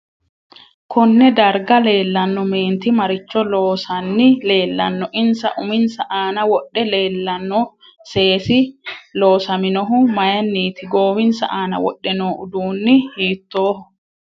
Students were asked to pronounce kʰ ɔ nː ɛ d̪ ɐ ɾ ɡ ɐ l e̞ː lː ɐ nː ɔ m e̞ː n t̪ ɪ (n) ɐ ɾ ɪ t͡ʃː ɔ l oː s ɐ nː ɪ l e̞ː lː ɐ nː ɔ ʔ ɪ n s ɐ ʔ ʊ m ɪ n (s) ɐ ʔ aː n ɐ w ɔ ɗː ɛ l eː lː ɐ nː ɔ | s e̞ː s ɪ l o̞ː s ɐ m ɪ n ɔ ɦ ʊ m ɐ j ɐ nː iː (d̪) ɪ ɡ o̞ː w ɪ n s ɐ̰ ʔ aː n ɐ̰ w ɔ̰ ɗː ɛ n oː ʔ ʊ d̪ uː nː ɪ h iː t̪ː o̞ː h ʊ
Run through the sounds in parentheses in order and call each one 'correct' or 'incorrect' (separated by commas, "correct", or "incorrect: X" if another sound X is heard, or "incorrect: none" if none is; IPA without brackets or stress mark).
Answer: incorrect: m, correct, incorrect: t̪